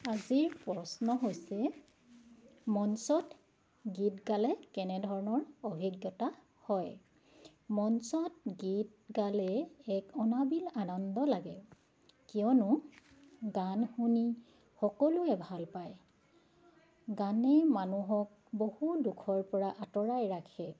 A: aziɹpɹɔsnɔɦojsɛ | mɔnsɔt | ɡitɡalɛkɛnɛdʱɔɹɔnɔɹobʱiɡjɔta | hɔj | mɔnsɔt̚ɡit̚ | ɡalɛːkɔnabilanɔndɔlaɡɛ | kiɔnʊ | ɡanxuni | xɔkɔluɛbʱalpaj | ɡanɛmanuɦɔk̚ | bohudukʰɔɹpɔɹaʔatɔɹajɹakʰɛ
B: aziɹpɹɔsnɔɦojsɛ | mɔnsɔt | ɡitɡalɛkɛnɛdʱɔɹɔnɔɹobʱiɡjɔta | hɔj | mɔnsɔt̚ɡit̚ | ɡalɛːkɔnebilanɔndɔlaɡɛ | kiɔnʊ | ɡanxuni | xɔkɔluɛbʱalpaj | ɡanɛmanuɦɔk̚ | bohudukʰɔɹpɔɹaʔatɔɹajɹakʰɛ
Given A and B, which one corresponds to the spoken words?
A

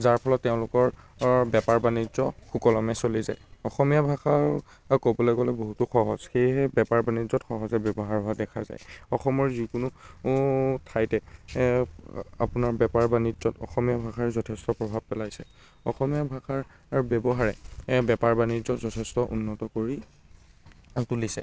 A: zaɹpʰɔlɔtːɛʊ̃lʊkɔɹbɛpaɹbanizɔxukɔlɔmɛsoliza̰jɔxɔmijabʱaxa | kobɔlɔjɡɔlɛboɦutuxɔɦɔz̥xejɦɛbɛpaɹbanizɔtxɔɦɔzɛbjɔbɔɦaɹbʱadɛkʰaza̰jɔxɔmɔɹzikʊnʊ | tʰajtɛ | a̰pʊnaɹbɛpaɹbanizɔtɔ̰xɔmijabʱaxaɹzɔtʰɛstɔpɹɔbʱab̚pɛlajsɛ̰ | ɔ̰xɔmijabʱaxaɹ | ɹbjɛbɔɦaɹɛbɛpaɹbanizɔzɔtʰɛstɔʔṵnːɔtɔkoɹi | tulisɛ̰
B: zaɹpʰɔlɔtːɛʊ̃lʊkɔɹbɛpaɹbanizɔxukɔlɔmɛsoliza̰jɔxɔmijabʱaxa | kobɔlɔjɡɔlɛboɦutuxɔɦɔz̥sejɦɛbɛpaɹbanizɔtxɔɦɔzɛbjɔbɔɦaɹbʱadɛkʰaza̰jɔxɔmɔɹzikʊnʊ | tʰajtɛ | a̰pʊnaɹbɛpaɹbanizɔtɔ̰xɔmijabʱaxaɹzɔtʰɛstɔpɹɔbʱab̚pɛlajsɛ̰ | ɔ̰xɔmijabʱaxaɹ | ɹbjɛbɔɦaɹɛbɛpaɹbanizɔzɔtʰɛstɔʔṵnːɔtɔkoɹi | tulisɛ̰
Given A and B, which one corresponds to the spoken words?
A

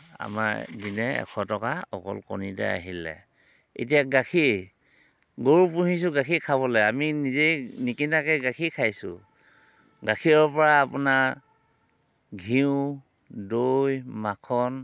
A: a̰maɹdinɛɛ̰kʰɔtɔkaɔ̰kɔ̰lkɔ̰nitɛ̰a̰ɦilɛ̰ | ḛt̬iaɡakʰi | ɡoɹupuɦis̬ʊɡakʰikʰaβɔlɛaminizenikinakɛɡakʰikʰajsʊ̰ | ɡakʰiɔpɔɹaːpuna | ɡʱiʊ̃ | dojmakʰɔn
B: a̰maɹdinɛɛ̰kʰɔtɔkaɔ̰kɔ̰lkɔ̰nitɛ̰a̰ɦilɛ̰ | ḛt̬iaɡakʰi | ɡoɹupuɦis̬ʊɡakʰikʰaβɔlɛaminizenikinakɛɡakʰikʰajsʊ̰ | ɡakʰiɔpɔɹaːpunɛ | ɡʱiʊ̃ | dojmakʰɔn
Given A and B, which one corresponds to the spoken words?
A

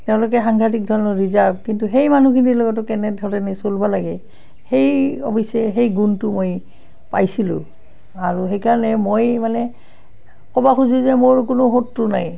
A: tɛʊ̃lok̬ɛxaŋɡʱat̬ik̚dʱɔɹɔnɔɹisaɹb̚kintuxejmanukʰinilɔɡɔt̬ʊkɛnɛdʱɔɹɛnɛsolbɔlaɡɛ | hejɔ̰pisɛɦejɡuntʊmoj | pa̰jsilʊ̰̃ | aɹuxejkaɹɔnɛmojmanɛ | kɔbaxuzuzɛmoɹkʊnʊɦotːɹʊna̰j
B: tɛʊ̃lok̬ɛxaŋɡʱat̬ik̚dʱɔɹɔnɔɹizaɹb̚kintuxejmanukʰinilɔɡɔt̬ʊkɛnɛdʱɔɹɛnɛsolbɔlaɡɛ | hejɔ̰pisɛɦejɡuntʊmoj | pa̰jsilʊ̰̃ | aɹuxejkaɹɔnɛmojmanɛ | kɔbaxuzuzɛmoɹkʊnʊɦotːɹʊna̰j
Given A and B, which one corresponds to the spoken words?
B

